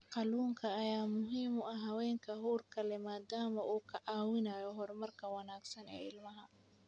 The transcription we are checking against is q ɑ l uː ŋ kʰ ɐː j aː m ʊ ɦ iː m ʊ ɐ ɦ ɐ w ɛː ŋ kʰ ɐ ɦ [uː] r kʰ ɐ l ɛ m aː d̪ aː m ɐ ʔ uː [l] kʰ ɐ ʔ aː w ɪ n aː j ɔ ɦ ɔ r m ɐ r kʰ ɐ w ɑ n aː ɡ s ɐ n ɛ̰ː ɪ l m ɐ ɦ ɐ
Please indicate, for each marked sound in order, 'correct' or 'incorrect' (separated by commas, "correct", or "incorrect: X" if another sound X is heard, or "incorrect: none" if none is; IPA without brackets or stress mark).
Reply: correct, incorrect: none